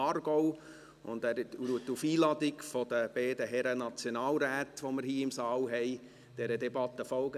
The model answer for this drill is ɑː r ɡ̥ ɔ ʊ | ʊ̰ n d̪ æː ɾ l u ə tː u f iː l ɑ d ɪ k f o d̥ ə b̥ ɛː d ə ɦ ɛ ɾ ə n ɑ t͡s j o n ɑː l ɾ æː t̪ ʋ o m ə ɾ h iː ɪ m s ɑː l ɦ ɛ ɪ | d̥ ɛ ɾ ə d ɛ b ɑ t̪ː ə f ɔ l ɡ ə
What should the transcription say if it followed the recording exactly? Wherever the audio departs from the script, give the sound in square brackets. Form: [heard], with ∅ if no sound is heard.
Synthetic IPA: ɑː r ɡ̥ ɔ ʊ | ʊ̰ n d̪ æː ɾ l u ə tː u f iː l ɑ d ɪ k f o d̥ ə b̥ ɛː d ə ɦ ɛ ɾ ə n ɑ t͡s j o n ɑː l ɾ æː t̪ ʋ o m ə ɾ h iː ɪ m s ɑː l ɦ ɛ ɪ | d̥ ɛ ɾ ə d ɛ b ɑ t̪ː ə f ɔ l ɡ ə